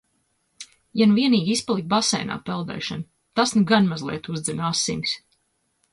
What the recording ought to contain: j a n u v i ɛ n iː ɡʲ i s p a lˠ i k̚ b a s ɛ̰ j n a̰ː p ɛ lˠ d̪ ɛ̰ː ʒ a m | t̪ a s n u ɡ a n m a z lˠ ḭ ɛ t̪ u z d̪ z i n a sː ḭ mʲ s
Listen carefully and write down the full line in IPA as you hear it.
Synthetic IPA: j a n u v i ɛ n iː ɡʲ i s p a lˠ i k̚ b a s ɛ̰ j n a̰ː p ɛ lˠ d̪ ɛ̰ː ʃ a n | t̪ a s n u ɡ a n m a z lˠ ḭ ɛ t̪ u z d̪ z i n a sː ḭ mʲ s